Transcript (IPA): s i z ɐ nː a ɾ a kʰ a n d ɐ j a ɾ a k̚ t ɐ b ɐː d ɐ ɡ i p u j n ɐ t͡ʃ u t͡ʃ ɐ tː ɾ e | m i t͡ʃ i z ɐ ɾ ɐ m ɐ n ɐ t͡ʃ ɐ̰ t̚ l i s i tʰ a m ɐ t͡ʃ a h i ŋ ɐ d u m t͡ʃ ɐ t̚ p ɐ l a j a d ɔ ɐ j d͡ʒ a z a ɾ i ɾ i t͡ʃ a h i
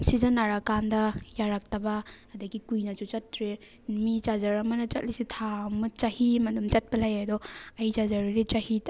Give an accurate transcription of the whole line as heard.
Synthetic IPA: s i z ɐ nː a ɾ a k a n d ɐ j a ɾ a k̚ t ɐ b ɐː d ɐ ɡ i k u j n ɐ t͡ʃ u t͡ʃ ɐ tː ɾ e | m i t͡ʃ a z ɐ ɾ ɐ m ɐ n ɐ t͡ʃ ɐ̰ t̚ l i s i tʰ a m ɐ t͡ʃ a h i m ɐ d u m t͡ʃ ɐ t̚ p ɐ l a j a d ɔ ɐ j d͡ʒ a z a ɾ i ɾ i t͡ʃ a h i